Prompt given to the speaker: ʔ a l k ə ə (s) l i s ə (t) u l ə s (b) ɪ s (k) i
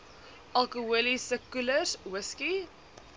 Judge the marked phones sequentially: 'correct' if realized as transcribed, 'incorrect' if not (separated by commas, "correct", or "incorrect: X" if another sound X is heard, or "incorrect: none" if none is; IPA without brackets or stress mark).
incorrect: none, incorrect: k, incorrect: w, correct